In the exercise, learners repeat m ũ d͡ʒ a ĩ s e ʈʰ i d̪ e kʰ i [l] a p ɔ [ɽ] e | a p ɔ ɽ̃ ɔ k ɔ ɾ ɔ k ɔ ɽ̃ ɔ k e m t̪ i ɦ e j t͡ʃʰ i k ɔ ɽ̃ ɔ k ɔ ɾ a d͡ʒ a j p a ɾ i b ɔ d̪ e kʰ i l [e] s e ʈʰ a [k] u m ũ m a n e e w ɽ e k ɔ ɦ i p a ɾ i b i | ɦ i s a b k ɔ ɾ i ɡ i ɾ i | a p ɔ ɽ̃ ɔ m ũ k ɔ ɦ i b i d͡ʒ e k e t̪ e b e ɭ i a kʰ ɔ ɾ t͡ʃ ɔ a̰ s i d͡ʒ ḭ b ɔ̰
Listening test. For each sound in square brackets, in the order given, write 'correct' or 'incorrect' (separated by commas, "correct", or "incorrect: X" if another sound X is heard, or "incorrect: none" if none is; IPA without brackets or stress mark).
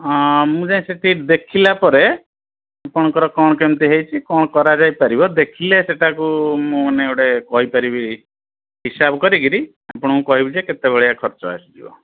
correct, incorrect: ɾ, correct, correct